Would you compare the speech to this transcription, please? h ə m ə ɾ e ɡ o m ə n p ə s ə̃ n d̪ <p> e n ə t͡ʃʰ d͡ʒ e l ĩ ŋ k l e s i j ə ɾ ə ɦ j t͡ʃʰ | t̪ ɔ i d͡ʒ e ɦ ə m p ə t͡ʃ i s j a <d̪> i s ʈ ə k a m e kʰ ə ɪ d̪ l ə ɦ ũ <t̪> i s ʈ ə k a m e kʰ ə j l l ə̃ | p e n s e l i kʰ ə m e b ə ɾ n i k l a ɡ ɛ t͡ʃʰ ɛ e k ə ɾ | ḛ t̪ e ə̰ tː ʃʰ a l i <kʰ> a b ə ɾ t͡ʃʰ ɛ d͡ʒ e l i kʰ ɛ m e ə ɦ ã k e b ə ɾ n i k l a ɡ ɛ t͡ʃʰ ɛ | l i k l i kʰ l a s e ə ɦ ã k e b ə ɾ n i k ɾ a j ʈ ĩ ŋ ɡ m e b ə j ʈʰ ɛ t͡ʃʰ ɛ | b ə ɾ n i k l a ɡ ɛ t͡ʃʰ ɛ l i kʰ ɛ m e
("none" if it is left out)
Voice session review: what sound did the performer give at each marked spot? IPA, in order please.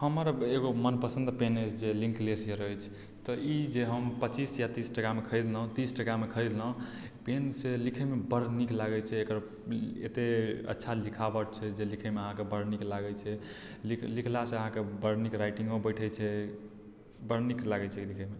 p, t̪, t̪, kʰ

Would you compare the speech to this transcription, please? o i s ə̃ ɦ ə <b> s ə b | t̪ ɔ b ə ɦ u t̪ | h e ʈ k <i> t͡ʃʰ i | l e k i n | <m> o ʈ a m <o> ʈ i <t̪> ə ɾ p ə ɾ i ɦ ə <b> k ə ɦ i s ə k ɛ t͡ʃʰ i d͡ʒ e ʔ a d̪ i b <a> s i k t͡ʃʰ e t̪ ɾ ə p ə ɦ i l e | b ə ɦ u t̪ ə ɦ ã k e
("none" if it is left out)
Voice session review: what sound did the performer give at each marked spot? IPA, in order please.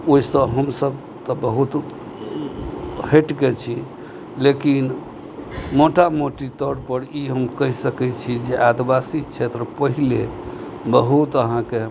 m, e, m, o, t̪, m, a

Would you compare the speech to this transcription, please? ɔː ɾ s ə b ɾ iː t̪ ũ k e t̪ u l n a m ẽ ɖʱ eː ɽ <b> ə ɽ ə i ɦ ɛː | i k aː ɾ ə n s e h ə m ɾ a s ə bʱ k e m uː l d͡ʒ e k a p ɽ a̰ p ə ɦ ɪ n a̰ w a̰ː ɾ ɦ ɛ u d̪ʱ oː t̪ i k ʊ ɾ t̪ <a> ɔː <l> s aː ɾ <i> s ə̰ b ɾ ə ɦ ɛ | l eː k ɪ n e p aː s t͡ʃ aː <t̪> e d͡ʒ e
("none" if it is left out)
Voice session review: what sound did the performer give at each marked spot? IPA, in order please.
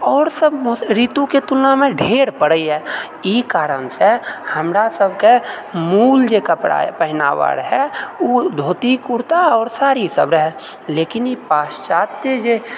p, a, ɾ, i, t̪

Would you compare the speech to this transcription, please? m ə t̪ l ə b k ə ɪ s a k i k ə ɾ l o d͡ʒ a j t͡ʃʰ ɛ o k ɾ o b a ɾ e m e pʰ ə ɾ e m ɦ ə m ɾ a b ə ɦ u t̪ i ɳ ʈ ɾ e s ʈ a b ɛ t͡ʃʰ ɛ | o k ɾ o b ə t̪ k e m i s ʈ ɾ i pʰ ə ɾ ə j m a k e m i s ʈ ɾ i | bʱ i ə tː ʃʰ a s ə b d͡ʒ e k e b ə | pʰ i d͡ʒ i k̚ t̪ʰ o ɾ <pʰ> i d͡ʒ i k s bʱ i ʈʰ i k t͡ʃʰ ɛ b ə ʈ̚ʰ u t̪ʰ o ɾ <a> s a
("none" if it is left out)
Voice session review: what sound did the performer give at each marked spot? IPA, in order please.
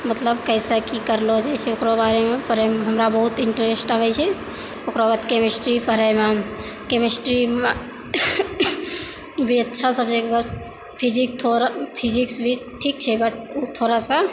pʰ, a

